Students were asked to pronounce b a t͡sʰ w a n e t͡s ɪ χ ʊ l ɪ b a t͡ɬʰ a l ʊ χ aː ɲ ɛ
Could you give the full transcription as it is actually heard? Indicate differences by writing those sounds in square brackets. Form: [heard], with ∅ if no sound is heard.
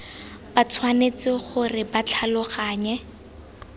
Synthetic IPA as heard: b a t͡sʰ w a n e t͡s ɪ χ ʊ [r] ɪ b a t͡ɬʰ a l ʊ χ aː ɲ ɛ